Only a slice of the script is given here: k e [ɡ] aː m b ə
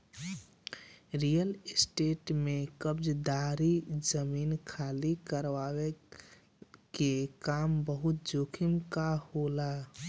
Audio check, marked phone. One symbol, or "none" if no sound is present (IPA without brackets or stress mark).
k